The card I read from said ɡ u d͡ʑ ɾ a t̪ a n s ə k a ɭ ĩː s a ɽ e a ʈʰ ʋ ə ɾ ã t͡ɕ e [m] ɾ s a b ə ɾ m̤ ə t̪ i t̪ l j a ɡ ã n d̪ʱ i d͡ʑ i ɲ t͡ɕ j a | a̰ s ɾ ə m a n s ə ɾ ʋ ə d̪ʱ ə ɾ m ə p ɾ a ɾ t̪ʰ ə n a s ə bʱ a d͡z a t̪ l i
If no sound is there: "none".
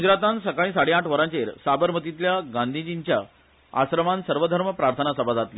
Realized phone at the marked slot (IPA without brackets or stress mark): none